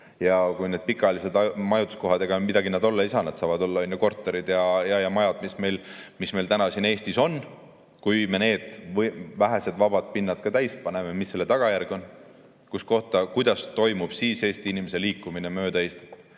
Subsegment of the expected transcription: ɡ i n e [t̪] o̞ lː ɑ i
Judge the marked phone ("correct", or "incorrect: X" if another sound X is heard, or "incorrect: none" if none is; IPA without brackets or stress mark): incorrect: d̪